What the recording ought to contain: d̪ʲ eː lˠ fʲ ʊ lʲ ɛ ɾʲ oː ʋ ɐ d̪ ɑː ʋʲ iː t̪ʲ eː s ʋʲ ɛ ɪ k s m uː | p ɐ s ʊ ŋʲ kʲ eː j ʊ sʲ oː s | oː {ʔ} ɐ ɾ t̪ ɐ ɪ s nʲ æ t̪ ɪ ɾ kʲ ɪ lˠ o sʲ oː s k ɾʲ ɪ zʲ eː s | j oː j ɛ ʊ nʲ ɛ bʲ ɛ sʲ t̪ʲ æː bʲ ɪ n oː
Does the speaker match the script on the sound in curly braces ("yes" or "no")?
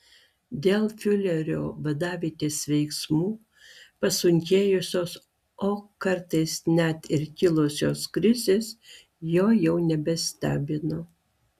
no